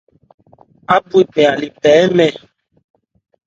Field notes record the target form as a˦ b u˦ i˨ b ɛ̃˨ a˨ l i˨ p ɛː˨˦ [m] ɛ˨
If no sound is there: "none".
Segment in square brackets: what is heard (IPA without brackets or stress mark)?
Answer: m